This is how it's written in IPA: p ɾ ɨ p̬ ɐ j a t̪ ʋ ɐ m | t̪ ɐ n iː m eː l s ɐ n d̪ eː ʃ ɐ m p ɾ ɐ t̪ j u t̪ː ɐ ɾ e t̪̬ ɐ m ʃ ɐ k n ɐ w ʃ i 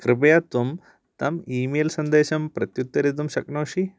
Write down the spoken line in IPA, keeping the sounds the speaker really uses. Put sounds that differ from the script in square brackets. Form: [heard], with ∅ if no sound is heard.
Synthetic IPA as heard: [k] ɾ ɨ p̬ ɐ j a t̪ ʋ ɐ m | t̪ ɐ [m] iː m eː l s ɐ n d̪ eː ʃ ɐ m p ɾ ɐ t̪ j u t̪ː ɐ ɾ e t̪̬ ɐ m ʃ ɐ k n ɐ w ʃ i